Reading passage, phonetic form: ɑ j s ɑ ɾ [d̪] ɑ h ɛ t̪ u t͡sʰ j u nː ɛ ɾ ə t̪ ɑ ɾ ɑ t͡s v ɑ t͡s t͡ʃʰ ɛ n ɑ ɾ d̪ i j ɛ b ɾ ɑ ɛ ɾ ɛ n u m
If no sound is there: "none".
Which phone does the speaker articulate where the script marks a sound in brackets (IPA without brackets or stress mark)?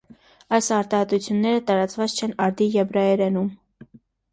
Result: t̪